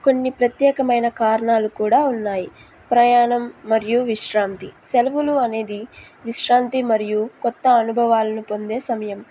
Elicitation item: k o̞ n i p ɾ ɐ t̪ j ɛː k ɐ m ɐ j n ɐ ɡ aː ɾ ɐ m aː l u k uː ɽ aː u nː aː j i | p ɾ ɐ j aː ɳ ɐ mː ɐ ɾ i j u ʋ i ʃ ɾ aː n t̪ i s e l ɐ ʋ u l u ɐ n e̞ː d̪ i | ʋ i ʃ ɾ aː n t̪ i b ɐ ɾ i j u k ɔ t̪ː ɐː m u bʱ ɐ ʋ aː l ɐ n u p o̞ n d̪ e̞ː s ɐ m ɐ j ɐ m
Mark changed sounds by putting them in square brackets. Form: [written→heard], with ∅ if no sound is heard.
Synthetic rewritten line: k o̞ [n→nː] i p ɾ ɐ t̪ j ɛː k ɐ m ɐ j n ɐ [ɡ→k] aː ɾ ɐ [m→ɳ] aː l u k uː ɽ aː u nː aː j i | p ɾ ɐ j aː ɳ ɐ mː ɐ ɾ i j u ʋ i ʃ ɾ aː n t̪ i s e l ɐ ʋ u l u ɐ n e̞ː d̪ i | ʋ i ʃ ɾ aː n t̪ i [b→m] ɐ ɾ i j u k ɔ t̪ː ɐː [m→n] u bʱ ɐ ʋ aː l ɐ n u p o̞ n d̪ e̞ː s ɐ m ɐ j ɐ m